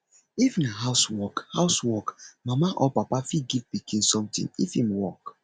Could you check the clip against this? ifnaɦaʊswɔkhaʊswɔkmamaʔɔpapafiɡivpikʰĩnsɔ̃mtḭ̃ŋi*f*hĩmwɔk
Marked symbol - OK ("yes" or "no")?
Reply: yes